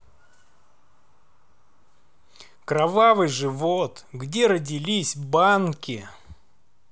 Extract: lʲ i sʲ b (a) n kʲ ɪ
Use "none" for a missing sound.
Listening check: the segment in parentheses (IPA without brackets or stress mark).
a